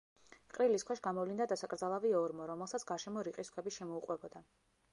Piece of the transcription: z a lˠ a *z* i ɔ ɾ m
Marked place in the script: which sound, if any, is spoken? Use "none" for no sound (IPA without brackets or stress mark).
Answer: v